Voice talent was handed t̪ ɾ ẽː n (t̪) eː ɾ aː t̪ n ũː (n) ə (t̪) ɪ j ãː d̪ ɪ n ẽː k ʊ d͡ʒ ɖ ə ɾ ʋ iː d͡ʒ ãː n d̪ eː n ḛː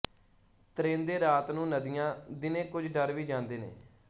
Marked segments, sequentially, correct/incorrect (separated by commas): incorrect, correct, incorrect